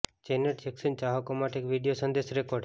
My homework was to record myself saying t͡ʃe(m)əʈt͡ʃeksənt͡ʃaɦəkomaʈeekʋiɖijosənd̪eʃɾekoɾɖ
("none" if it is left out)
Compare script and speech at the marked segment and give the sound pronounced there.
n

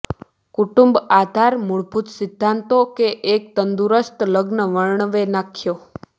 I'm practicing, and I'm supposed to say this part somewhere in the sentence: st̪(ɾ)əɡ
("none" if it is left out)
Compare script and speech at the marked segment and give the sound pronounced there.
l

